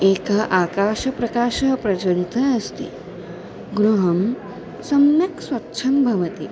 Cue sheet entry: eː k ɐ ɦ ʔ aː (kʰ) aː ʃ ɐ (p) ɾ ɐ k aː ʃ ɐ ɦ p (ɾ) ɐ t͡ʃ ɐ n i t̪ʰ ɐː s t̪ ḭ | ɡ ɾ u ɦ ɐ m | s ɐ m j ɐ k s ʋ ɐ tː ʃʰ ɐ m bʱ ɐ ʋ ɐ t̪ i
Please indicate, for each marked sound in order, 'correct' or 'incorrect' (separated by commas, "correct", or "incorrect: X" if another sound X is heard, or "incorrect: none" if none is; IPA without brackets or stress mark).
incorrect: k, correct, correct